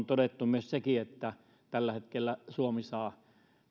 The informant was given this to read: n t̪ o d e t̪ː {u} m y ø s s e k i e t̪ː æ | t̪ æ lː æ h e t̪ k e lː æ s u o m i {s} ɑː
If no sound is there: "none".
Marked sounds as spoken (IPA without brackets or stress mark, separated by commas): u, s